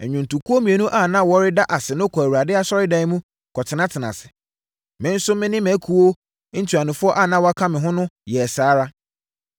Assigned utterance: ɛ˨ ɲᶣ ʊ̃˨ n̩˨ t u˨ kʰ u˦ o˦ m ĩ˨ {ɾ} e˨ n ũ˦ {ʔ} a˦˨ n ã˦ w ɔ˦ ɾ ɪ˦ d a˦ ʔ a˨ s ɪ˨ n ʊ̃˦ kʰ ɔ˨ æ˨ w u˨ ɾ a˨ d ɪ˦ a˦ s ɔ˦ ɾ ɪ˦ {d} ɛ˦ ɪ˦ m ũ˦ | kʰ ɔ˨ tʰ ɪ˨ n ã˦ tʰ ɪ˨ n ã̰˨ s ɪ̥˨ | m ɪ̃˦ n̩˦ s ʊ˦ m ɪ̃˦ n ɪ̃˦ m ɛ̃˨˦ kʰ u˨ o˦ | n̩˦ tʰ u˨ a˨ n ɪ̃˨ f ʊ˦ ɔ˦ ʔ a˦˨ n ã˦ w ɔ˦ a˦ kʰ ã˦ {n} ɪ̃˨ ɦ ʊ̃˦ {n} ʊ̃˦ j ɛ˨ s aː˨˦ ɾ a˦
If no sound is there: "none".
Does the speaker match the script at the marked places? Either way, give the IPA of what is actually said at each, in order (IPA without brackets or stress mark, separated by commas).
none, ʔ, d, m, n